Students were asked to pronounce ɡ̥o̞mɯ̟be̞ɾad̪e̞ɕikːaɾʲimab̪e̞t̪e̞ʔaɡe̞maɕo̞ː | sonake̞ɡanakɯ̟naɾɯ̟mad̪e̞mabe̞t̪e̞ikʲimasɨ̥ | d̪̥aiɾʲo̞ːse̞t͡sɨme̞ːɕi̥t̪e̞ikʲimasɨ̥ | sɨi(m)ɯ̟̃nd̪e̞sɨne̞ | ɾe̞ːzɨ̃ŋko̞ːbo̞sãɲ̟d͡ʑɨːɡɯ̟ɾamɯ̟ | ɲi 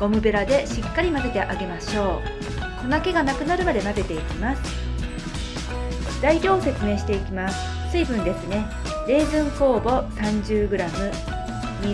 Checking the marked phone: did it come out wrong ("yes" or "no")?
yes